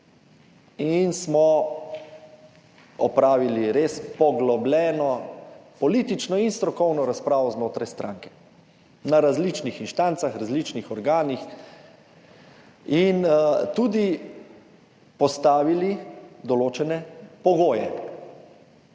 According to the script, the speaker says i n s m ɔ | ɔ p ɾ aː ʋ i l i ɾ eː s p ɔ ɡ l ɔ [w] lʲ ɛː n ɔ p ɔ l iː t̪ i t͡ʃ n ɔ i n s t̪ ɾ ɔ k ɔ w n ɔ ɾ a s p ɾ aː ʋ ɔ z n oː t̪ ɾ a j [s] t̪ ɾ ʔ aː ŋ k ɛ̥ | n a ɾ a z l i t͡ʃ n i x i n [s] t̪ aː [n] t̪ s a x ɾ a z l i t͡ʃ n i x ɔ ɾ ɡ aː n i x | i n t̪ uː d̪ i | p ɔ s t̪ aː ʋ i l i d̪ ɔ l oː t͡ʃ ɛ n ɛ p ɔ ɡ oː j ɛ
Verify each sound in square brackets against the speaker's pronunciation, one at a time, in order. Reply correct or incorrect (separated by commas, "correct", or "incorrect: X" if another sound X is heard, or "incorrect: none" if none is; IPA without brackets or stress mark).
incorrect: b, correct, incorrect: ʃ, correct